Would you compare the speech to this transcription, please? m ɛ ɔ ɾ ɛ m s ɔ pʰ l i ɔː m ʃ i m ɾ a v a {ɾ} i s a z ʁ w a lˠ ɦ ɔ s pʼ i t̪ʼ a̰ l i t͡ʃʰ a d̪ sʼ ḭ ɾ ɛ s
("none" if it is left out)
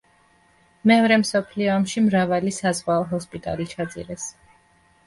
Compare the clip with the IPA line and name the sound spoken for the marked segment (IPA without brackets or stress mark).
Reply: l